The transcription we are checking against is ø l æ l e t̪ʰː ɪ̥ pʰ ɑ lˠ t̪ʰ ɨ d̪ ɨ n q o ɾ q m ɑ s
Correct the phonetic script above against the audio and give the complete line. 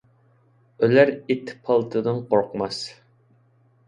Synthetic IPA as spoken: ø l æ ɾ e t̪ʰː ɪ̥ pʰ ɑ lˠ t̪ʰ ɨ d̪ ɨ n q o ɾ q m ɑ s